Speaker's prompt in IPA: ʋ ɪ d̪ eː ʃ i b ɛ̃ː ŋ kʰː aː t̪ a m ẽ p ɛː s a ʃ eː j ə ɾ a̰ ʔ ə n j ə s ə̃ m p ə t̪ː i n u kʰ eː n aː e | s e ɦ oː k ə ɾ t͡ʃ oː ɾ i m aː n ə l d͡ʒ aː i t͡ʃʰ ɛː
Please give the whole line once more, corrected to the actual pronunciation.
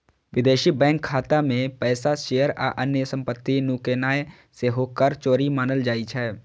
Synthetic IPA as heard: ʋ ɪ d̪ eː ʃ i b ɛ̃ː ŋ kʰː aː t̪ a m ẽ p ɛː s a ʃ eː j ə ɾ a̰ ʔ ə n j ə s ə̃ m p ə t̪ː i n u k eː n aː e | s e ɦ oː k ə ɾ t͡ʃ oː ɾ i m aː n ə l d͡ʒ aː i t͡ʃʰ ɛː